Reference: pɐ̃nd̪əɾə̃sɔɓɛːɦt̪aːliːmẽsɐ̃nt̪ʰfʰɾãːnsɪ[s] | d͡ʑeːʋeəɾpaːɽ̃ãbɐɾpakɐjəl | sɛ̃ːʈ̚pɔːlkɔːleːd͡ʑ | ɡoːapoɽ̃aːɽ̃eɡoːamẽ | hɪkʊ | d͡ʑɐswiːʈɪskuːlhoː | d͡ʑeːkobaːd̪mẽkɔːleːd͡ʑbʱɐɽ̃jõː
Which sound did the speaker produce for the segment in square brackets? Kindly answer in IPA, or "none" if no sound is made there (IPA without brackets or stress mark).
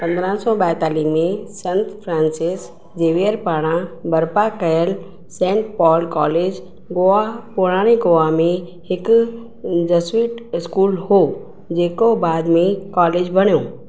s